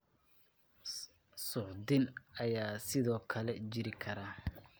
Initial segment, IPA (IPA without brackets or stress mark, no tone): s